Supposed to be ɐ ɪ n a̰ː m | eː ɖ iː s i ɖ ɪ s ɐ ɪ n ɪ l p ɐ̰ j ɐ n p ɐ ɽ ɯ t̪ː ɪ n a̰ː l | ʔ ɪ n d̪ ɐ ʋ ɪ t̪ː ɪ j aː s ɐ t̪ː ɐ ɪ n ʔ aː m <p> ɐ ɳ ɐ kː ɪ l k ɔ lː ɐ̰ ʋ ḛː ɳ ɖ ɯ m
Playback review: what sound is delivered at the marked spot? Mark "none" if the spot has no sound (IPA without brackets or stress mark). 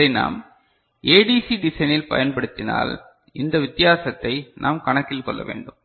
k